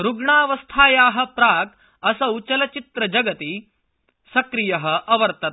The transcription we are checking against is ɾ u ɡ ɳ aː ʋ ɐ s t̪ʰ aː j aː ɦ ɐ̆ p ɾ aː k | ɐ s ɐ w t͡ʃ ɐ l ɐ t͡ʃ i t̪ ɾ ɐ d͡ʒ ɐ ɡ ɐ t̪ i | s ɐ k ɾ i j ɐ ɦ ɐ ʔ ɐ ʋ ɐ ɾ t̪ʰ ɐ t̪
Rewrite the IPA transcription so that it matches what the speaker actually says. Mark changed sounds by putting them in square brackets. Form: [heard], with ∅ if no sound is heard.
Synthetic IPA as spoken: ɾ u ɡ ɳ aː ʋ ɐ s t̪ʰ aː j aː ɦ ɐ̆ p ɾ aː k | ɐ s ɐ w t͡ʃ ɐ l ɐ t͡ʃ i t̪ ɾ ɐ d͡ʒ ɐ ɡ ɐ t̪ i | s ɐ k ɾ i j ɐ ɦ ɐ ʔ ɐ ʋ ɐ ɾ [t̪] ɐ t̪